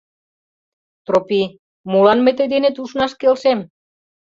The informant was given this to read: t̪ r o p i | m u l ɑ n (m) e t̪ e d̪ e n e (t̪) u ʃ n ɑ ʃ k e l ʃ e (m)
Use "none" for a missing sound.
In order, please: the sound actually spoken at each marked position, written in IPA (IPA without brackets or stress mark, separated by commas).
m, t̪, m